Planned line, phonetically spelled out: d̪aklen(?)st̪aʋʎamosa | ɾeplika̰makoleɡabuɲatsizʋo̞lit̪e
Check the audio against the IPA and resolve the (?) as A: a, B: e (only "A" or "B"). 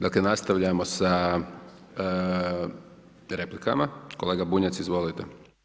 A